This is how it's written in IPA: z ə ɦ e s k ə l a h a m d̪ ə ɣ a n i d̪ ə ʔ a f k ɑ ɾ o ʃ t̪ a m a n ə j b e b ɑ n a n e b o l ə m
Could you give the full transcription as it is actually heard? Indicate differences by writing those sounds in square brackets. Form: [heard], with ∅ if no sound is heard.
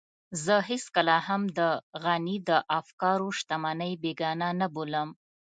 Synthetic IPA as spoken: z ə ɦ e s k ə l a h a m d̪ ə ɣ a n i d̪ ə ʔ a f k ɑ ɾ o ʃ t̪ a m a n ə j b e [ɡ] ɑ n a n [a] b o l ə m